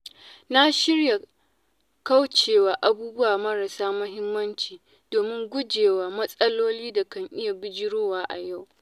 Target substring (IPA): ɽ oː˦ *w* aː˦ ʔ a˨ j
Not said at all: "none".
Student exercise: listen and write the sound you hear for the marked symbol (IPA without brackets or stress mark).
w